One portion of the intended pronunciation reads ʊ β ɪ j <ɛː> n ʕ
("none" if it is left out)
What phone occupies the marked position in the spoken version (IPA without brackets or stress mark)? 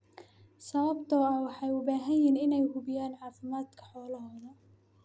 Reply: aː